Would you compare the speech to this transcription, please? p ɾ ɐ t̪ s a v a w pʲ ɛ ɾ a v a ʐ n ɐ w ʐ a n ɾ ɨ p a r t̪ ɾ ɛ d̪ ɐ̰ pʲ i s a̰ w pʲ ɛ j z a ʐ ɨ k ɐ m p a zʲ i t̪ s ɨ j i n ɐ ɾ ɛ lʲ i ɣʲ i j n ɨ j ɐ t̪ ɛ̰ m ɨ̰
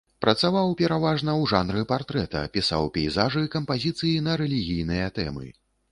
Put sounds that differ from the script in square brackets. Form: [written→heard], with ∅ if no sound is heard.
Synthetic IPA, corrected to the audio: p ɾ ɐ t̪ s a v a w pʲ ɛ ɾ a v a ʐ n ɐ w ʐ a n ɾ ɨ p a r t̪ ɾ ɛ [d̪→t̪] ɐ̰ pʲ i s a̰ w pʲ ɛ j z a ʐ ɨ k ɐ m p a zʲ i t̪ s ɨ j i n ɐ ɾ ɛ lʲ i ɣʲ i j n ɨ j ɐ t̪ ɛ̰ m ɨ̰